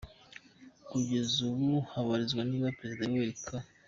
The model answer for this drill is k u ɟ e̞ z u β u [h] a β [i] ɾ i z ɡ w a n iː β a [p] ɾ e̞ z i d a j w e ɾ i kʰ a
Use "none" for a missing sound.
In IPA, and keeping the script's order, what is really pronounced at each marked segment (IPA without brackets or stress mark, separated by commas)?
h, a, p